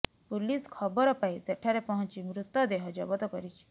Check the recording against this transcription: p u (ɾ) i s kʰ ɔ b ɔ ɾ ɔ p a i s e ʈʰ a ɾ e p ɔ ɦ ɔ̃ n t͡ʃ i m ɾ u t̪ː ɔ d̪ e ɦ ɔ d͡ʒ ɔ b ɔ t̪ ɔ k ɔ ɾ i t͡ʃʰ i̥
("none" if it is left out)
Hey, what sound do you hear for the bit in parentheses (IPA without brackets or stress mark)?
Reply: l